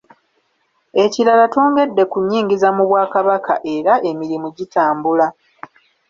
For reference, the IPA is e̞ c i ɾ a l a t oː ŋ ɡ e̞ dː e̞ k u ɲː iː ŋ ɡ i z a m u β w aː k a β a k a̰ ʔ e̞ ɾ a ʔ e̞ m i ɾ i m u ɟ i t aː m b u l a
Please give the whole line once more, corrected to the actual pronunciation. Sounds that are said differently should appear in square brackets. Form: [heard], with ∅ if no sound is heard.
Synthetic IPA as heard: e̞ c i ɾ a l a t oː ŋ ɡ e̞ dː e̞ k u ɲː iː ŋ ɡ i z a m u β w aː k a β a k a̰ ʔ e̞ ɾ a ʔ e̞ m i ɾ i m u ɟ i t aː m b u l a